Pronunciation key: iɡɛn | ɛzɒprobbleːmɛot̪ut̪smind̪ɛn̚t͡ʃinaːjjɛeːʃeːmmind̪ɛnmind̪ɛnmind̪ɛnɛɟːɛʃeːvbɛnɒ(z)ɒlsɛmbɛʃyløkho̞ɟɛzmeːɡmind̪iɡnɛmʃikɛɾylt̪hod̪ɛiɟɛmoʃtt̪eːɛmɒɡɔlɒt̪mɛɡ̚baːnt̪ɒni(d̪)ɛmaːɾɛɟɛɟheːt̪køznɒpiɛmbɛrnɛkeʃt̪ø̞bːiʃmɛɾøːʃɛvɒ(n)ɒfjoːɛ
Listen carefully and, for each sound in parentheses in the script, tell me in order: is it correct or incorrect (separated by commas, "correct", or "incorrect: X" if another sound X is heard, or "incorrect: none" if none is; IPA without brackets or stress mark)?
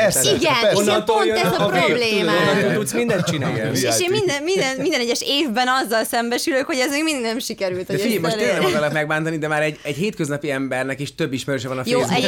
incorrect: zː, correct, correct